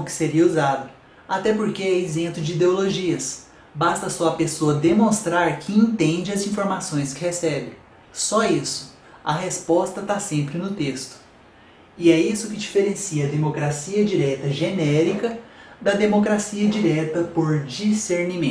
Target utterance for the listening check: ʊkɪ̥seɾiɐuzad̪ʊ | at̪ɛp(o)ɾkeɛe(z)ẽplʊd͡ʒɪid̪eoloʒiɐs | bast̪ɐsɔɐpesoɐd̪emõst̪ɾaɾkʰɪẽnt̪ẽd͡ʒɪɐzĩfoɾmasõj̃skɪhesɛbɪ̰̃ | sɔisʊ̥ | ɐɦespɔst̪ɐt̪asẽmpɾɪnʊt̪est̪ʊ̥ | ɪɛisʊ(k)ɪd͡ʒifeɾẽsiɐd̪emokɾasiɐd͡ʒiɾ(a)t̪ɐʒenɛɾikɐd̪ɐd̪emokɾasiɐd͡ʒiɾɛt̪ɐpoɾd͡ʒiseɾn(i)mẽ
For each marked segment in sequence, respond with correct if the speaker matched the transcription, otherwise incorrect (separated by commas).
correct, correct, correct, incorrect, correct